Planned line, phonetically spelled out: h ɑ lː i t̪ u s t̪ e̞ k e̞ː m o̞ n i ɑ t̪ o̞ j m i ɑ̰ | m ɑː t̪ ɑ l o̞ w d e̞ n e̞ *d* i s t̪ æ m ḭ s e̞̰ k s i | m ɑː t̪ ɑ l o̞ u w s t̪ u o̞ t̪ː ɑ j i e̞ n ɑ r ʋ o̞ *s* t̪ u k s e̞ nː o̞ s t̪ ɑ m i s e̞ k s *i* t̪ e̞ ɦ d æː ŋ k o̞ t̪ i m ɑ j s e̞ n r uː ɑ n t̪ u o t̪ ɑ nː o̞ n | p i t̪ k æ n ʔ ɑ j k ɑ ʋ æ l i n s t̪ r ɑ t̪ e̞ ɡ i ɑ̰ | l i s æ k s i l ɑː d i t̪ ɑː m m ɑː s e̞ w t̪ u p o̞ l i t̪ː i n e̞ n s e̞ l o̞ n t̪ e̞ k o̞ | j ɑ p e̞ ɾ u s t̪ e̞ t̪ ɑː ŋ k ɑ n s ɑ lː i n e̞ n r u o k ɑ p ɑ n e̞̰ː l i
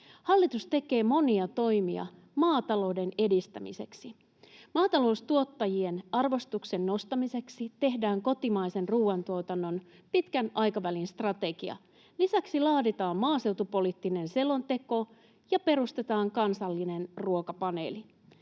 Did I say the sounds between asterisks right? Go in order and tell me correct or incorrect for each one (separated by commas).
correct, correct, correct